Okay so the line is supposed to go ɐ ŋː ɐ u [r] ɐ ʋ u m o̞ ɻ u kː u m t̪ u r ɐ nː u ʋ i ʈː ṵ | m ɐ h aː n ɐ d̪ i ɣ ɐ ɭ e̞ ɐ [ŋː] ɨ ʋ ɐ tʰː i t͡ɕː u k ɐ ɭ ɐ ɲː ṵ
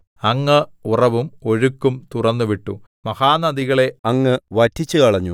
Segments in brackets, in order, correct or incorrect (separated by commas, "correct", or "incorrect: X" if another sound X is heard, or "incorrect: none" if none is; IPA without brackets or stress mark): correct, correct